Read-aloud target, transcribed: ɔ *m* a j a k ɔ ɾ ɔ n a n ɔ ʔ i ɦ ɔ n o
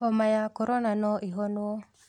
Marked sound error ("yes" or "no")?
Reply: no